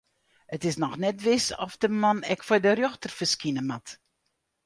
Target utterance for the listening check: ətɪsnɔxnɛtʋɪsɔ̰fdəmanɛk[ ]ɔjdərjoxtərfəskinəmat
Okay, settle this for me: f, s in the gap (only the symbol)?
f